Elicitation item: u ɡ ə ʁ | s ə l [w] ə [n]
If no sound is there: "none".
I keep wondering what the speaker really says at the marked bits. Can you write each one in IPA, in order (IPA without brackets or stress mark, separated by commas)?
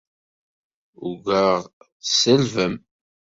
v, m